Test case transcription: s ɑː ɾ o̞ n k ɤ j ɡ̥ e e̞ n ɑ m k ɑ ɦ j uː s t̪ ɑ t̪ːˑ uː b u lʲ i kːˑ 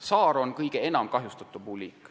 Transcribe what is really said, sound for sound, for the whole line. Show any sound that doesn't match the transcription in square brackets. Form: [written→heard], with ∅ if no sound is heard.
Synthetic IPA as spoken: s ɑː ɾ o̞ n k ɤ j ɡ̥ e e̞ n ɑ m k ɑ ɦ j [uː→u] s t̪ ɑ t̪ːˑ [uː→u] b u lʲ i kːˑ